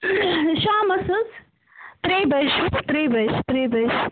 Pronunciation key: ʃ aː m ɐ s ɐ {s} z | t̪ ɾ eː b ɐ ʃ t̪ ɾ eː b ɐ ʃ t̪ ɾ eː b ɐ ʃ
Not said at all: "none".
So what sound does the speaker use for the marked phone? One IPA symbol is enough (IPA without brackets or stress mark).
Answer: none